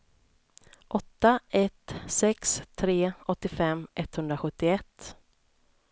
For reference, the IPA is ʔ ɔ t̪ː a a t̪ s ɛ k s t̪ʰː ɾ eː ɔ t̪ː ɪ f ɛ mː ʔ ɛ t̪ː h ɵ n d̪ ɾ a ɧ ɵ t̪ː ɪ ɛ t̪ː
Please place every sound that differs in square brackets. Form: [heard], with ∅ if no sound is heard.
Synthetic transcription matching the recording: ʔ ɔ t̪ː a [ɛ] t̪ s ɛ k s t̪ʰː ɾ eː ɔ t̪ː ɪ f ɛ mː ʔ ɛ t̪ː h ɵ n d̪ ɾ a ɧ ɵ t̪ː ɪ ɛ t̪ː